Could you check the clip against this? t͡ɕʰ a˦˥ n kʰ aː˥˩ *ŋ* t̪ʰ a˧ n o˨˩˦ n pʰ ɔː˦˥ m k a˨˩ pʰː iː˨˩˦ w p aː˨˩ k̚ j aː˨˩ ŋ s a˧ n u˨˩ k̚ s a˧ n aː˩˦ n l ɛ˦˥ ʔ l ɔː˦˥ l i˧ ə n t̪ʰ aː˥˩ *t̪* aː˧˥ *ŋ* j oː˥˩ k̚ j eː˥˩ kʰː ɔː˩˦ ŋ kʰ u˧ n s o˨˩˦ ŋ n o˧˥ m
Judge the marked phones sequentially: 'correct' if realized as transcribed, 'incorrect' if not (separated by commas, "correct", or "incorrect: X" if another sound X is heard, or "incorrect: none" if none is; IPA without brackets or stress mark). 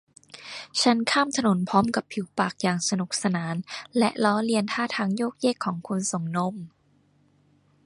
incorrect: m, incorrect: t̪ʰ, correct